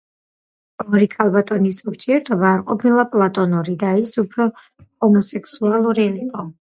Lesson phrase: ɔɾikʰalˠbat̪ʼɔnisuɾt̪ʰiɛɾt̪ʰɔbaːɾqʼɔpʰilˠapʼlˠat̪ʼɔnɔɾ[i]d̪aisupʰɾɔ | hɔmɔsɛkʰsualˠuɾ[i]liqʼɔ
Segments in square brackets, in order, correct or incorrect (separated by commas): correct, correct